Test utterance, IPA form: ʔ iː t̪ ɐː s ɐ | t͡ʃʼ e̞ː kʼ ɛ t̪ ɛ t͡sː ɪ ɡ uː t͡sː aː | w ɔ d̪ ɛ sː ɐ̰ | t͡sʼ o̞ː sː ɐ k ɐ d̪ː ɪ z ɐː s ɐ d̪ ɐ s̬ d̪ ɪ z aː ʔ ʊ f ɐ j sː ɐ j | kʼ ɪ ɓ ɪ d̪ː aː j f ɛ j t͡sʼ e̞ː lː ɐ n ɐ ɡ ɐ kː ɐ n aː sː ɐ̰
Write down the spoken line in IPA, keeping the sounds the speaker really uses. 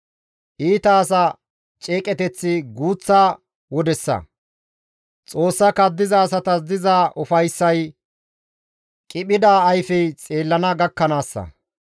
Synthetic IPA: ʔ iː t̪ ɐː s ɐ | t͡ʃʼ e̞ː kʼ ɛ t̪ ɛ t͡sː ɪ ɡ uː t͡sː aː | w ɔ d̪ ɛ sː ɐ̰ | t͡sʼ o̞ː sː ɐ k ɐ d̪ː ɪ z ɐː s ɐ t̪ ɐ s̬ d̪ ɪ z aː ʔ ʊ f ɐ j sː ɐ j | kʼ ɪ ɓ ɪ d̪ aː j f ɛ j t͡sʼ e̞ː lː ɐ n ɐ ɡ ɐ kː ɐ n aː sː ɐ̰